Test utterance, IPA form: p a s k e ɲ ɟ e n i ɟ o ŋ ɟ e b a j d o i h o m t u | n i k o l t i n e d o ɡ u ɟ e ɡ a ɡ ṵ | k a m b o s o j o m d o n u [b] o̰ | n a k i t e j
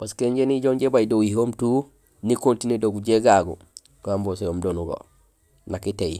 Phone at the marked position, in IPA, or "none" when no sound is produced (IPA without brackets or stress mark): ɡ